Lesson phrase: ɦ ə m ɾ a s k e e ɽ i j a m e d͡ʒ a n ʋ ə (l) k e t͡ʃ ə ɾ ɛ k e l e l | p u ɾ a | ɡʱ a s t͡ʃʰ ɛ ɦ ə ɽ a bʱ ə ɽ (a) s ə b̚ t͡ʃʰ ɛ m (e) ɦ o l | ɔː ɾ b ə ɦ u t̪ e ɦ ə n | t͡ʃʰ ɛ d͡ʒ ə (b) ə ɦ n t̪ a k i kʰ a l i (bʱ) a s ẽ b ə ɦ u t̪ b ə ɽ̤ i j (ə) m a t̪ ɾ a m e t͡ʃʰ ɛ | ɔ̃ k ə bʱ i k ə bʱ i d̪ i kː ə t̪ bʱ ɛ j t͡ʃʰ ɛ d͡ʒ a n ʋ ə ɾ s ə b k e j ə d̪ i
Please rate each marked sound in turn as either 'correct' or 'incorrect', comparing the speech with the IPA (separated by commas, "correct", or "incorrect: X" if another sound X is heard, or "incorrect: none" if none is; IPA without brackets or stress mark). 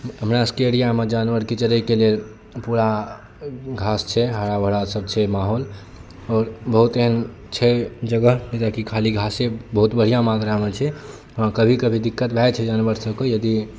incorrect: ɾ, correct, incorrect: a, incorrect: ɡ, incorrect: ɡʱ, incorrect: a